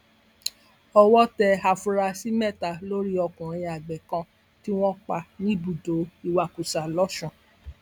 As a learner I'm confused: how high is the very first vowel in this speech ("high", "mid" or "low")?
mid